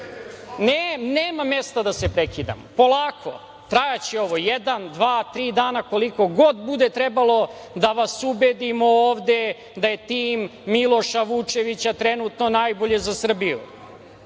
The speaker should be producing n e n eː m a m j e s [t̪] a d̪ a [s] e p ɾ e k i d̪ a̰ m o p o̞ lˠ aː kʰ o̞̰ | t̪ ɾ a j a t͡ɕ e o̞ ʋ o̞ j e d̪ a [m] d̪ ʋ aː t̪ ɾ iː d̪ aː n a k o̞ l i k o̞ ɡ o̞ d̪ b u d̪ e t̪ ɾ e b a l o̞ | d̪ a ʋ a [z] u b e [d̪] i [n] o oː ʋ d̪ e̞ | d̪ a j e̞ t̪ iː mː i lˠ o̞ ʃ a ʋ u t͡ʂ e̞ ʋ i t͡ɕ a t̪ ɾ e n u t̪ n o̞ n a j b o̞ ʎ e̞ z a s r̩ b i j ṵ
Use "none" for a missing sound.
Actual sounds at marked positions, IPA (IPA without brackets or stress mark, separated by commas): t̪, s, n, s, d̪, m